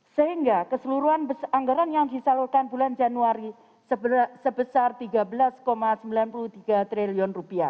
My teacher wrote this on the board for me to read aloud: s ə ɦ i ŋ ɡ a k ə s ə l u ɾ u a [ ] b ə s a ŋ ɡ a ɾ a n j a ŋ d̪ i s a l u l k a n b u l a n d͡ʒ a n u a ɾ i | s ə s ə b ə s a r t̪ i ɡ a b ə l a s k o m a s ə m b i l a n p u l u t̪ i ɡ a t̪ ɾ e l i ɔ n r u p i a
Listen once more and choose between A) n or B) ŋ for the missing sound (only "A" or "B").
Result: A